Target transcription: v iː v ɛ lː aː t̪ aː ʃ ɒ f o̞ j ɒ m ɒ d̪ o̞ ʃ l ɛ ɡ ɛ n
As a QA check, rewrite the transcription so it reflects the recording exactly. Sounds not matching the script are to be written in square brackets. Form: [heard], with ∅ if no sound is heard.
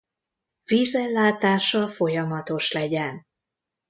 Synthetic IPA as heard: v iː [z] ɛ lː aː t̪ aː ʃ ɒ f o̞ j ɒ m ɒ [t̪] o̞ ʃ l ɛ [ɟ] ɛ n